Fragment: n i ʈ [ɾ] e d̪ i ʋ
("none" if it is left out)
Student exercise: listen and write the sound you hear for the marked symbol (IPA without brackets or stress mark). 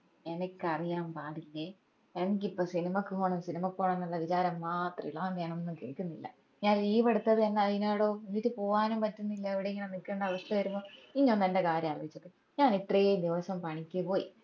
r